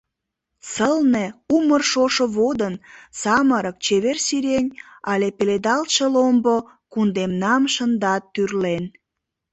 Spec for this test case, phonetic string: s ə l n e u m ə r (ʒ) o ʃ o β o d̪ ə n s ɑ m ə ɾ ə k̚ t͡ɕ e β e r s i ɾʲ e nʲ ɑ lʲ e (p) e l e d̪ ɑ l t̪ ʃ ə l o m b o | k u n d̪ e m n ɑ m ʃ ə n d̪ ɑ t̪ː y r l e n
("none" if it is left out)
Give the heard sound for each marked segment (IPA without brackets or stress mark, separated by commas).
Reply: ʃ, p